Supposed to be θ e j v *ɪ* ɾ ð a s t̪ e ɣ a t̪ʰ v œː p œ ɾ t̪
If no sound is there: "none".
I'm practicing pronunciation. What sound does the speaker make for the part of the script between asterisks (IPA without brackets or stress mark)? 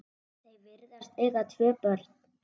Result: ɪ